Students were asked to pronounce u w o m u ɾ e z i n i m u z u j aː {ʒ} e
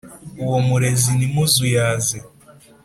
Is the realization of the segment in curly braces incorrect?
yes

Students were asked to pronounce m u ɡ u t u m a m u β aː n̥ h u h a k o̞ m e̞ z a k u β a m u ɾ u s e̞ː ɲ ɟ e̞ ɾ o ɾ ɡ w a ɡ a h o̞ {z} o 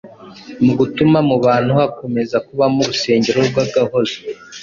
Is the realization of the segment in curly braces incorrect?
no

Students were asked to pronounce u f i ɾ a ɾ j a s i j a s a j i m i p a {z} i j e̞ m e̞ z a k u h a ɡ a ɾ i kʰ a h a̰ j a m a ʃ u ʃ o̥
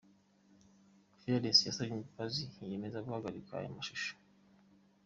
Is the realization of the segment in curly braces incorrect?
no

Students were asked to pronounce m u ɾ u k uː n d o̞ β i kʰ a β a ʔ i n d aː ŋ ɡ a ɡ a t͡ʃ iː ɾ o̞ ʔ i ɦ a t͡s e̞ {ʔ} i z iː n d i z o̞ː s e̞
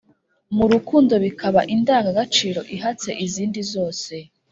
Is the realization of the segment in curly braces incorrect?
no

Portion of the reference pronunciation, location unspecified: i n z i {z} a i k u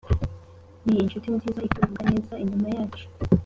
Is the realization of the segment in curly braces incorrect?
no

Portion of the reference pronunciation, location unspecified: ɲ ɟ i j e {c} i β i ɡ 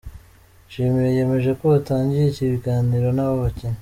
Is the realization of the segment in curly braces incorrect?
no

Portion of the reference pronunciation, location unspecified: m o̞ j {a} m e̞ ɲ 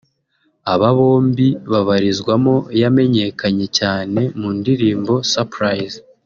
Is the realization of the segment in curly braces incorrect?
no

